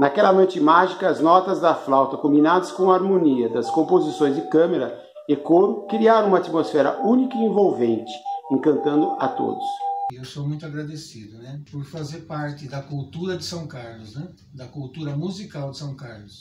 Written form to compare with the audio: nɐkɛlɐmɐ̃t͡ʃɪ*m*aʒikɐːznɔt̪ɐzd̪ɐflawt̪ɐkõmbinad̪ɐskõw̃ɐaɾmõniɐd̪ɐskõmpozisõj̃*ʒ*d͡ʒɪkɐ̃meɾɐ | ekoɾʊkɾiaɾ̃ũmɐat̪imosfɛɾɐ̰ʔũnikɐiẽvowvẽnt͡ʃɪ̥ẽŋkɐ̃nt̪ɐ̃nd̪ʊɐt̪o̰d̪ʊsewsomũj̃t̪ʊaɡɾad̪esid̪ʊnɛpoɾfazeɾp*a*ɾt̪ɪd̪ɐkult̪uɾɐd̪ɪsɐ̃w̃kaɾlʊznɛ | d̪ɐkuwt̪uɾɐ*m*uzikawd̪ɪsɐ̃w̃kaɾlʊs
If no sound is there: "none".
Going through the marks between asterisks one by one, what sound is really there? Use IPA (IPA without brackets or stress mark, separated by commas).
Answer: m, z, a, m